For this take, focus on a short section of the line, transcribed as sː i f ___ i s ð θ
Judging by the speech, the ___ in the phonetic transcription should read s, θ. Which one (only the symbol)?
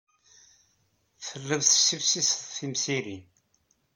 s